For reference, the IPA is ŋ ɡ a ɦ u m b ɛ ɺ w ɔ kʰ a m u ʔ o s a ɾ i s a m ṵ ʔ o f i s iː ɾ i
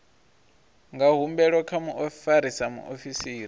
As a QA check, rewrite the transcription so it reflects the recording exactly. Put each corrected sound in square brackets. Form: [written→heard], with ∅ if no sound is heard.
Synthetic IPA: ŋ ɡ a ɦ u m b ɛ ɺ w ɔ kʰ a m u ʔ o [s→f] a ɾ i s a m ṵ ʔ o f i s iː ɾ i